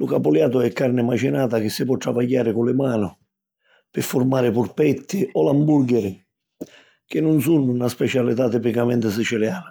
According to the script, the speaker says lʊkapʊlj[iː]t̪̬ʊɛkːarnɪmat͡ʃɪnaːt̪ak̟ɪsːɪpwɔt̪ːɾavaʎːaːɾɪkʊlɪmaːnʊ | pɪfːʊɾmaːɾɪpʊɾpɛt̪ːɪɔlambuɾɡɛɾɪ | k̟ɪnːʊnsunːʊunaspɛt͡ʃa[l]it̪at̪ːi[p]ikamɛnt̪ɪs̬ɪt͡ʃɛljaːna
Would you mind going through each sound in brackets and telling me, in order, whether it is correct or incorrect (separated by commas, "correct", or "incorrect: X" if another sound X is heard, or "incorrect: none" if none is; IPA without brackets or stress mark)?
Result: incorrect: aː, correct, correct